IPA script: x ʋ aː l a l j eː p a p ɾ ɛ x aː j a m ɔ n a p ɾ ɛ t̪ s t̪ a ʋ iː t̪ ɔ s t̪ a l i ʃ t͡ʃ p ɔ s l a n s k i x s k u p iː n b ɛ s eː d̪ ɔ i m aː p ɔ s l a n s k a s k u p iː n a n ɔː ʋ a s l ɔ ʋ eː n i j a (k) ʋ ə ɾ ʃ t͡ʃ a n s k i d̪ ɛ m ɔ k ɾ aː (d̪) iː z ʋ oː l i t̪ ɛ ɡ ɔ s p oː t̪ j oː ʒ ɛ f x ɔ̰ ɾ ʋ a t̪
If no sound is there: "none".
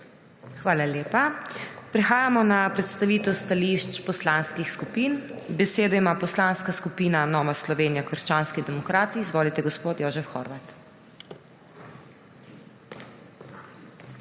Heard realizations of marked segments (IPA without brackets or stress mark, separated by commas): k, t̪